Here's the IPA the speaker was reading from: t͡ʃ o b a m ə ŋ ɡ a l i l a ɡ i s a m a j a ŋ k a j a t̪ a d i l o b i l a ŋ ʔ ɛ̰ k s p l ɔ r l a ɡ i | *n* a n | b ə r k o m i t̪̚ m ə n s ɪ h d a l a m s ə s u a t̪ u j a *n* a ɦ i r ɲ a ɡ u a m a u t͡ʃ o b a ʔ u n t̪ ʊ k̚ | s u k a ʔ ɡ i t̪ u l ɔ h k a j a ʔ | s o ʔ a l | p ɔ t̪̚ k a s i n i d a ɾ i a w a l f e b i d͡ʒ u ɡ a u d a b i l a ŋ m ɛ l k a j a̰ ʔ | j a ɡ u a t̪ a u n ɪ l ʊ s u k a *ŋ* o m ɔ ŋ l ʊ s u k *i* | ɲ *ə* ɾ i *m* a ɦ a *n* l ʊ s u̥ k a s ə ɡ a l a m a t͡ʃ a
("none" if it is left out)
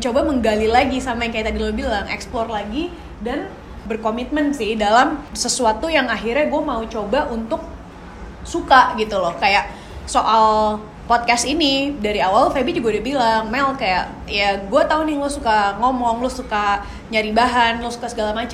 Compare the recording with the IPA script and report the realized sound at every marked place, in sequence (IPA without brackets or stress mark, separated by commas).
d, ŋ, ŋ, a, a, b, n